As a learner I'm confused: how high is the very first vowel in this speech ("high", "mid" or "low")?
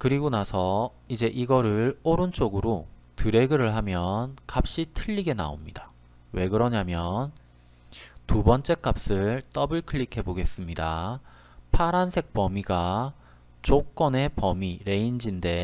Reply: high